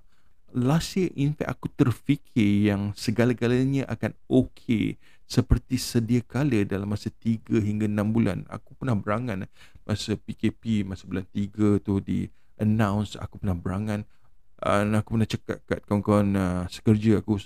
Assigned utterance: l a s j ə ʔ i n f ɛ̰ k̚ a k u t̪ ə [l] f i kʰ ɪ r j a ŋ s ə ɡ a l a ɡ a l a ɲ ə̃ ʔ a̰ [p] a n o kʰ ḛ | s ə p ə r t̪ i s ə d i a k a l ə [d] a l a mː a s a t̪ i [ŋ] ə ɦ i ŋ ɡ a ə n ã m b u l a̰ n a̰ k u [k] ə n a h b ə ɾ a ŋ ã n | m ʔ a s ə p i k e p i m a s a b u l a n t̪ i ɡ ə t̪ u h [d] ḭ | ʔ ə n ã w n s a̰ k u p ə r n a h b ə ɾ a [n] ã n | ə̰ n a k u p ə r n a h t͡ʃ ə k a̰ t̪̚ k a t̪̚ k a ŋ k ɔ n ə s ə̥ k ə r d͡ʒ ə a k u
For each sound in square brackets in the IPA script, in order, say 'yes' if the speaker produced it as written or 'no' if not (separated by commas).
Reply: no, no, yes, no, no, yes, no